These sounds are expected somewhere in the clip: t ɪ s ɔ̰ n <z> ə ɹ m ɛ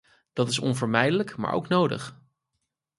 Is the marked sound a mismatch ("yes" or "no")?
yes